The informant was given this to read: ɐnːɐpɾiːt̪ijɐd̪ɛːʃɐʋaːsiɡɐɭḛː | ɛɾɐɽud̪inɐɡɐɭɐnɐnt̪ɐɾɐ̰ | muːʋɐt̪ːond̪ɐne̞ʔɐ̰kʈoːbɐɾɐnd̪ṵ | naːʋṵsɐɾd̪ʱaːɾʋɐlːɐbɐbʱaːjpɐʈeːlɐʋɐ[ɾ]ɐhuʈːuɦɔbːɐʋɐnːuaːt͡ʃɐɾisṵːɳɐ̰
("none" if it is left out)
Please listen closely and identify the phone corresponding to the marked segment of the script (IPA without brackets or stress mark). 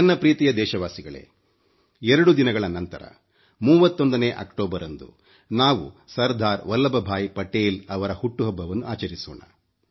ɾ